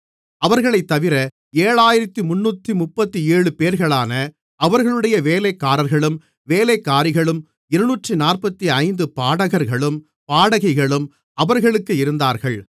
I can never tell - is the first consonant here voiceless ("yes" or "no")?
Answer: no